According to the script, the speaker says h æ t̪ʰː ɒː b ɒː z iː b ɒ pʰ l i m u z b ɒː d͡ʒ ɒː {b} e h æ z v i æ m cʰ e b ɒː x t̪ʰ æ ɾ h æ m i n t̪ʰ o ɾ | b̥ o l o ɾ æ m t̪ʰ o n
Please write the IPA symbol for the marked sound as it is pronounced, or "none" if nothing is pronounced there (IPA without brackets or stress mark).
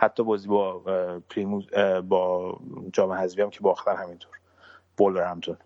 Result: m